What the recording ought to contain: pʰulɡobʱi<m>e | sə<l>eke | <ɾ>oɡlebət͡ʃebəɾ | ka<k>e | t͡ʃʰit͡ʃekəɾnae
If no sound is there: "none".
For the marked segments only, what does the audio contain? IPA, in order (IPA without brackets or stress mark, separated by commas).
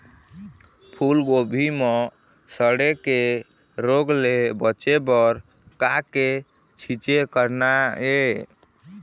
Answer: m, ɽ, ɾ, k